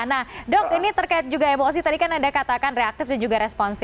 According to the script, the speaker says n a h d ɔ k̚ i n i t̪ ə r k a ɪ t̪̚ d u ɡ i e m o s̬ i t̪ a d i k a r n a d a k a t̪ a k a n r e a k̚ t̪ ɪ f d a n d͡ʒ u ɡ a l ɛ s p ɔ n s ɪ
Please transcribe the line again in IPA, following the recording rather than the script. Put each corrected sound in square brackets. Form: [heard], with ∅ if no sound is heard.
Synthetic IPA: n a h d ɔ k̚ i n i t̪ ə r k a ɪ t̪̚ [d͡ʒ] u ɡ [a] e m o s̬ i t̪ a d i k a [∅] n a d a k a t̪ a k a n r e a k̚ t̪ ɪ f d a n d͡ʒ u ɡ a [ɾ] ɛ s p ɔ n s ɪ